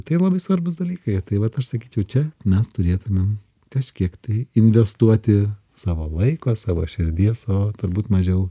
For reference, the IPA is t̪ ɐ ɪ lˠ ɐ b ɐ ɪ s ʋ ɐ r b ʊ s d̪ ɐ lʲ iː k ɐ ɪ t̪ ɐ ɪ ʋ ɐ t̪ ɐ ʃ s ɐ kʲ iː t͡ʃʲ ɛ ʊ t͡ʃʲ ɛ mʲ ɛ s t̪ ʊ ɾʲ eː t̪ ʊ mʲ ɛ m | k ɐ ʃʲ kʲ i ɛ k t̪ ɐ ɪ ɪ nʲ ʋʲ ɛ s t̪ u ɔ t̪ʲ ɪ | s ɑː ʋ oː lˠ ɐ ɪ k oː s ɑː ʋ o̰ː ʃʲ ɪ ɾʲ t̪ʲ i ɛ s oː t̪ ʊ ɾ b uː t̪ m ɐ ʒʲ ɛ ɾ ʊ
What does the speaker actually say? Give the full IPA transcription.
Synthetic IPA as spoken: t̪ ɐ ɪ lˠ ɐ b ɐ ɪ s ʋ ɐ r b ʊ s d̪ ɐ lʲ iː k ɐ ɪ t̪ ɐ ɪ ʋ ɐ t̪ ɐ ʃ s ɐ kʲ iː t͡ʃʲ ɛ ʊ t͡ʃʲ ɛ mʲ ɛ s t̪ ʊ ɾʲ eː t̪ ʊ mʲ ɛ m | k ɐ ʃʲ kʲ i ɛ k t̪ ɐ ɪ ɪ nʲ ʋʲ ɛ s t̪ u ɔ t̪ʲ ɪ | s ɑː ʋ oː lˠ ɐ ɪ k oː s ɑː ʋ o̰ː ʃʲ ɪ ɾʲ d̪ʲ i ɛ s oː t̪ ʊ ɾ b uː t̪ m ɐ ʒʲ ɛ ʊ